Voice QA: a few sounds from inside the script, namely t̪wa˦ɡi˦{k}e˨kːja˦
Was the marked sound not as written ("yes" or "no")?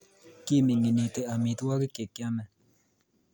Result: no